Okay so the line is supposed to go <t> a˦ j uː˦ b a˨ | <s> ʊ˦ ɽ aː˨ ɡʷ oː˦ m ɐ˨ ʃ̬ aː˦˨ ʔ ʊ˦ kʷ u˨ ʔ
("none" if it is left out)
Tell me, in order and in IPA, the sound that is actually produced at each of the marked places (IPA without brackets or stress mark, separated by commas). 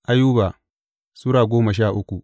ʔ, s